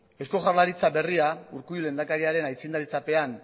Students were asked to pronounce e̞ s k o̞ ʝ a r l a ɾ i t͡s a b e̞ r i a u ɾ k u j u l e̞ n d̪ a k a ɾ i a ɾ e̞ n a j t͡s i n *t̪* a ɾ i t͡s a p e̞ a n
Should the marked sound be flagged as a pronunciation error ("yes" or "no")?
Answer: yes